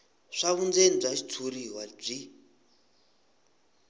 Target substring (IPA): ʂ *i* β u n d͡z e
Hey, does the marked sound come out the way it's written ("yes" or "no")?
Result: no